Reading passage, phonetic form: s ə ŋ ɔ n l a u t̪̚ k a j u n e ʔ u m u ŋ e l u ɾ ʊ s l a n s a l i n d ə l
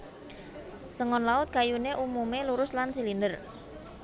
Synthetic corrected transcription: s ə ŋ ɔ n l a ʊ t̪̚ k a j u n e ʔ u m u m e l u ɾ ʊ s l a n s i l i n d ə r

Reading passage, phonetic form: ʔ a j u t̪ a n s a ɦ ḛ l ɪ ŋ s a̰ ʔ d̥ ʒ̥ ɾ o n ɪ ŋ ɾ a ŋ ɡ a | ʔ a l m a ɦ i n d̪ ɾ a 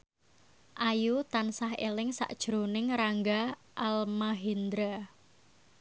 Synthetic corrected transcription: ʔ a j u t̪ a n s a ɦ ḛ l ɪ ŋ s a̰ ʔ d̥ ʒ̥ ɾ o n ɪ ŋ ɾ a ŋ ɡ a | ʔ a l m a ɦ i n d̪ ɾ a

